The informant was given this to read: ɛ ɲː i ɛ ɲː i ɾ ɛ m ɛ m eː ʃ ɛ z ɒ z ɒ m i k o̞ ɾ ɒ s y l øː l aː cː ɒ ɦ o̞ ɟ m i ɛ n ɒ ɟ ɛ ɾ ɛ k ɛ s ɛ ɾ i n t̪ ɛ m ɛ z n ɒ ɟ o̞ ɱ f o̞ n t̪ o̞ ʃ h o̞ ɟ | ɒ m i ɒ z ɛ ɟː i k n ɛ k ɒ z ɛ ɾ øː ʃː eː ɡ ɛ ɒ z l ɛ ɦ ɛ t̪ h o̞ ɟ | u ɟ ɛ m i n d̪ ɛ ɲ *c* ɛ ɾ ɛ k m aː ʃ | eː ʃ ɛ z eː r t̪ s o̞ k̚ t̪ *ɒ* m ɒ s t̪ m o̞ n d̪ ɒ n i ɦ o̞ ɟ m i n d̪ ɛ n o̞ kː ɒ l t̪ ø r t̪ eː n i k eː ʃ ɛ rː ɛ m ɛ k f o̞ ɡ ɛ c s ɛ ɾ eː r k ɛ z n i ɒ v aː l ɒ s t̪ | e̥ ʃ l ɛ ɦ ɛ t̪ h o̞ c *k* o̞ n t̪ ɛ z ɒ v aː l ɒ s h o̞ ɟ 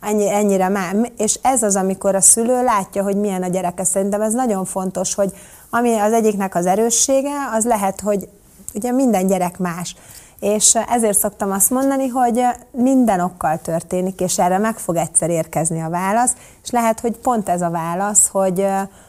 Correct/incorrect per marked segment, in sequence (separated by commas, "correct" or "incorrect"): incorrect, correct, incorrect